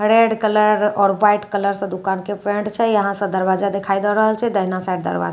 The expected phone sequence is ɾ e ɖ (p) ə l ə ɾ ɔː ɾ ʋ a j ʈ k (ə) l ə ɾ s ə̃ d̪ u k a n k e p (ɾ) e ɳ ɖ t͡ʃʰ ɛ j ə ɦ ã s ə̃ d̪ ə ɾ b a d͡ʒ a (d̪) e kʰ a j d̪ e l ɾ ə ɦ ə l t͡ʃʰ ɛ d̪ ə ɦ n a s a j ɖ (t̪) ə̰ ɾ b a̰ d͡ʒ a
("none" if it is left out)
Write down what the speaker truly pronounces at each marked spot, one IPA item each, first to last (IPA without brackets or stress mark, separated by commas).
k, ə, ɾ, d̪, d̪